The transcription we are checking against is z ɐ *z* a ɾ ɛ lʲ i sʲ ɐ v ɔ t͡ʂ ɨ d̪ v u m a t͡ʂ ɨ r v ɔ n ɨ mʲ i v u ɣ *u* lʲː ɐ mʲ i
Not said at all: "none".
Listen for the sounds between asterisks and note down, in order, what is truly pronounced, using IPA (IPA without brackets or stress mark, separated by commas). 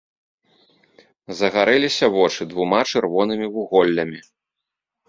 ɣ, ɔ